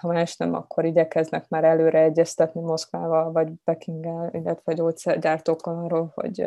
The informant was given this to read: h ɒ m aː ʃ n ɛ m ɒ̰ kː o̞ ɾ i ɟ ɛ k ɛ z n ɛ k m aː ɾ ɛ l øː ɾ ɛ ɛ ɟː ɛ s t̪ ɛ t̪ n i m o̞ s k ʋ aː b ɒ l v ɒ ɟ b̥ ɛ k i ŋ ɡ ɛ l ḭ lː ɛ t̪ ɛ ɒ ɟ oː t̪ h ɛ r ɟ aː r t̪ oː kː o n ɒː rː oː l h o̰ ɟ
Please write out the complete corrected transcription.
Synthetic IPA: h ɒ m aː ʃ n ɛ m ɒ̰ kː o̞ ɾ i ɟ ɛ k ɛ z n ɛ k m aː ɾ ɛ l øː ɾ ɛ ɛ ɟː ɛ s t̪ ɛ t̪ n i m o̞ s k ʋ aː v ɒ l v ɒ ɟ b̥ ɛ k i ŋ ɡ ɛ l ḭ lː ɛ t̪ ɛ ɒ ɟ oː t̪ s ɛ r ɟ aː r t̪ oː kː o n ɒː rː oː l h o̰ ɟ